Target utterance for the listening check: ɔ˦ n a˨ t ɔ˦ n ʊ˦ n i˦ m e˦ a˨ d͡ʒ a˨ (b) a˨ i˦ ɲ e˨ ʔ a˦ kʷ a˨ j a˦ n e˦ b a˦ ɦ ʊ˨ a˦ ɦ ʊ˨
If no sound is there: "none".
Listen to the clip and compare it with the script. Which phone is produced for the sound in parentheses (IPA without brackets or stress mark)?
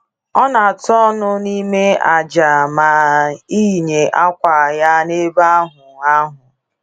m